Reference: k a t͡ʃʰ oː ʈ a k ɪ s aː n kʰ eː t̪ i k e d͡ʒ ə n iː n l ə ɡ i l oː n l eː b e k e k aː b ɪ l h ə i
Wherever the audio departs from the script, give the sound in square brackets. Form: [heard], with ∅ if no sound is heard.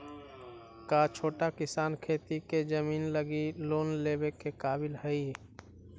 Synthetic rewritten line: k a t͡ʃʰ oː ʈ a k ɪ s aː n kʰ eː t̪ i k e d͡ʒ ə [m] iː n l ə ɡ i l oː n l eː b e k e k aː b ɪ l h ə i